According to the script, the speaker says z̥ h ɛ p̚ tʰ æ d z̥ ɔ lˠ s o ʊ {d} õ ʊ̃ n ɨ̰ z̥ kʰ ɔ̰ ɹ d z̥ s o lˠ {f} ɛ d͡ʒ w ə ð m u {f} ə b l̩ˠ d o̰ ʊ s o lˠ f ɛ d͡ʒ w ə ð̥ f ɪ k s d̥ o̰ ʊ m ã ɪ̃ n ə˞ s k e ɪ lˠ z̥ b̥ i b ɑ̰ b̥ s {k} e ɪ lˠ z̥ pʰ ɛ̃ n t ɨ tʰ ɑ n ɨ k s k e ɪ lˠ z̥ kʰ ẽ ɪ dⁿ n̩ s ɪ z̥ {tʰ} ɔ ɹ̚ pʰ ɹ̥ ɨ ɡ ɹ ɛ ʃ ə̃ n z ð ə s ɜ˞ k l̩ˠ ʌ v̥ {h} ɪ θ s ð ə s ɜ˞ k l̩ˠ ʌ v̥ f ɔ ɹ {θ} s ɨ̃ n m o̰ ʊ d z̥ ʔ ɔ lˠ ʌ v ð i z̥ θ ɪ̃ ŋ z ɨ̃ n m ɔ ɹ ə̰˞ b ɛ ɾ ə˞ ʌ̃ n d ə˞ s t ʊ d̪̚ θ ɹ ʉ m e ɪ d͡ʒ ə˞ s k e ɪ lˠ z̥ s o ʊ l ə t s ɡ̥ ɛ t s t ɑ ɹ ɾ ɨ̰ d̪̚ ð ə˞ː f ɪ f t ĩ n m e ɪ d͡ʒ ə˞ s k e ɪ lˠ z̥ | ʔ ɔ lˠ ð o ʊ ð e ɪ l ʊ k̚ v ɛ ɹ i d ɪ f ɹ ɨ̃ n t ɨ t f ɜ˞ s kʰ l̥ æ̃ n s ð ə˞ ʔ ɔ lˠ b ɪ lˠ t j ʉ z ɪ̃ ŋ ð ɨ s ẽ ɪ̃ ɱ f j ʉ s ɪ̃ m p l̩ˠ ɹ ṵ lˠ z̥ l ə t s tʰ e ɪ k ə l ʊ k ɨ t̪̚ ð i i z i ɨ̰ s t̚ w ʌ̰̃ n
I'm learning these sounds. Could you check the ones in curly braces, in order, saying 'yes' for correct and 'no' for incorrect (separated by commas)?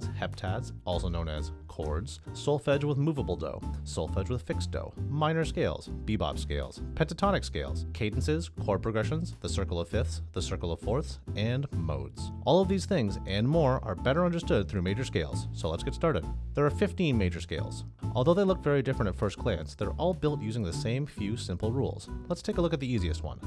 no, yes, no, yes, no, no, yes